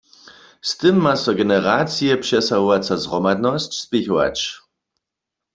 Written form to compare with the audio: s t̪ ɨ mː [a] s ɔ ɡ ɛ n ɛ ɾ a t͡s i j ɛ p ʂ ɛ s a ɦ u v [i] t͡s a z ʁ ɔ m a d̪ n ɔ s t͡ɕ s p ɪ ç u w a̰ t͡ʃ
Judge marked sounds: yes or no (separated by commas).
yes, no